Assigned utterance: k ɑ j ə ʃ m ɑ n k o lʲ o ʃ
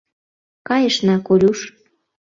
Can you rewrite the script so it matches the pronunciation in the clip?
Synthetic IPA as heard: k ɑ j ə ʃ n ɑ k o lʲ u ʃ

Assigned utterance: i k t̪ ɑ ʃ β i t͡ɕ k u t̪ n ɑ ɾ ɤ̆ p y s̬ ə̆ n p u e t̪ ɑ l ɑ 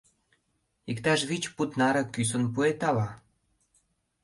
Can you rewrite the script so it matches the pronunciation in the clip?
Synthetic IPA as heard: i k t̪ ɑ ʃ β i t͡ɕ p u t̪ n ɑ ɾ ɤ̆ k y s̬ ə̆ n p u e t̪ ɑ l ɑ

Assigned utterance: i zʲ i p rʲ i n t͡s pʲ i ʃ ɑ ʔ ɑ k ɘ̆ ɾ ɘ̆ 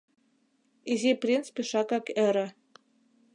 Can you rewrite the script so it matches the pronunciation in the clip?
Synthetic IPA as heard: i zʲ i p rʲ i n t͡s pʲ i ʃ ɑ k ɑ k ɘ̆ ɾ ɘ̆

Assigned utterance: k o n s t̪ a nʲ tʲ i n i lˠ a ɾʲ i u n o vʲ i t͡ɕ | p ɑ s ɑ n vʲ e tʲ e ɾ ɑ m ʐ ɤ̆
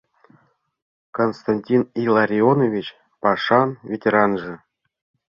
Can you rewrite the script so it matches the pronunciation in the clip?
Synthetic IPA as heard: k o n s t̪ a nʲ tʲ i n i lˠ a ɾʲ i o n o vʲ i t͡ɕ | p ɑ ʂ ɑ n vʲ e tʲ e ɾ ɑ n ʐ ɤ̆

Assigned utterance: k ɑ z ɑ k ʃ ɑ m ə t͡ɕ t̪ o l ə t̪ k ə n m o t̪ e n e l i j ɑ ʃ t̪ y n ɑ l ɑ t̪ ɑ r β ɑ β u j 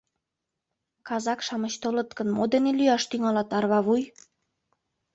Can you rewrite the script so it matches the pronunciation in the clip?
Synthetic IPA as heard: k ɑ z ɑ k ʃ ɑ m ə t͡ɕ t̪ o l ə t̪ k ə n m o d̪ e n e l y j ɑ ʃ t̪ y ŋ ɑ l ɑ t̪ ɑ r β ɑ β u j

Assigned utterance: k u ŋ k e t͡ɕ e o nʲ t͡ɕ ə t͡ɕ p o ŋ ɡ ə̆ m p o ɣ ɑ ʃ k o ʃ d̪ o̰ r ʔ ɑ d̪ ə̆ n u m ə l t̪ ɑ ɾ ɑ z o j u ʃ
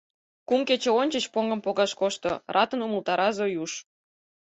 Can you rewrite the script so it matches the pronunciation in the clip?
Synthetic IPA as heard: k u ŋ k e t͡ɕ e o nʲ t͡ɕ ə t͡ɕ p o ŋ ɡ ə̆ m p o ɣ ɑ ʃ k o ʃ t̪ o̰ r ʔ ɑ t̪ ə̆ n u m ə l t̪ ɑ ɾ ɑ z o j u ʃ

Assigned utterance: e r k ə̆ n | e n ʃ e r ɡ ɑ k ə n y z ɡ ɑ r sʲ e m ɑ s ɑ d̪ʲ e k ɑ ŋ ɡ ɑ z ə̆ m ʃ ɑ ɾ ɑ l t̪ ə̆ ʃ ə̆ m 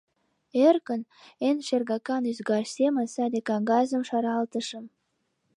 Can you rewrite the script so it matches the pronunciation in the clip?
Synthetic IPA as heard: e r k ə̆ n | e n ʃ e r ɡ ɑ k ɑ n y z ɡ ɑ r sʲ e m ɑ s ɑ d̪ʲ e k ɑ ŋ ɡ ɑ z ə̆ m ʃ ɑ ɾ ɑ l t̪ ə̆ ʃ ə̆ m

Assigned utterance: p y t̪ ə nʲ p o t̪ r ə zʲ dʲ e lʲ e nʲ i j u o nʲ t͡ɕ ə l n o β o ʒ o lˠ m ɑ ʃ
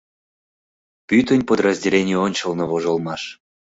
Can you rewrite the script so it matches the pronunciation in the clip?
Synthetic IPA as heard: p y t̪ ə nʲ p o d̪ r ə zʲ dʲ e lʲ e nʲ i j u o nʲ t͡ɕ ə l n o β o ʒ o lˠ m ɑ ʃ

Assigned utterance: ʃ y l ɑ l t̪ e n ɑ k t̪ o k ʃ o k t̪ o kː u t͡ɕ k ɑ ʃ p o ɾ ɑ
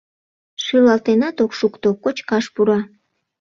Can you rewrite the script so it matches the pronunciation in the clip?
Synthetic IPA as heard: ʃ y l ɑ l t̪ e n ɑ t̪ o k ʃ u k t̪ o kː o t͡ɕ k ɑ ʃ p u ɾ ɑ

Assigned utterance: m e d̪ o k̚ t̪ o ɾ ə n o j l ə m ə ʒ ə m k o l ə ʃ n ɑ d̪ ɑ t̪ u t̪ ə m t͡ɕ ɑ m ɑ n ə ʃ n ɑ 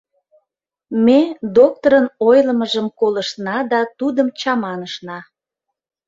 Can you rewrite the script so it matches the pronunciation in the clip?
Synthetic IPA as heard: m e d̪ o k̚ t̪ o ɾ ə n o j l ə m ə ʒ ə m k o l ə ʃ n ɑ d̪ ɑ t̪ u d̪ ə m t͡ɕ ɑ m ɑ n ə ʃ n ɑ

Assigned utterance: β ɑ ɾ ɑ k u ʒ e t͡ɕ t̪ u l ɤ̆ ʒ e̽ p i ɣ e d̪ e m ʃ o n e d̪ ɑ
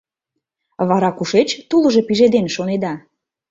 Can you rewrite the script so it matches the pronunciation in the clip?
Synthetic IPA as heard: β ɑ ɾ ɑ k u ʃ e t͡ɕ t̪ u l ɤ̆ ʒ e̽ p i ʒ e d̪ e n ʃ o n e d̪ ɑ

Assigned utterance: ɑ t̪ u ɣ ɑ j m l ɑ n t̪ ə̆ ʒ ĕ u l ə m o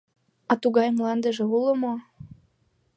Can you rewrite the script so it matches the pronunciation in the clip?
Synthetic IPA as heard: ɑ t̪ u ɣ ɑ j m l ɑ n d̪ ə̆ ʒ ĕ u l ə m o

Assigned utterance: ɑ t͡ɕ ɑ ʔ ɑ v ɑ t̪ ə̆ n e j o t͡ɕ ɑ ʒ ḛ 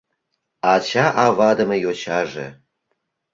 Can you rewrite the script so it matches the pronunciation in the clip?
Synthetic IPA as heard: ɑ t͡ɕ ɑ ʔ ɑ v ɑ d̪ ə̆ m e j o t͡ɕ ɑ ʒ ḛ

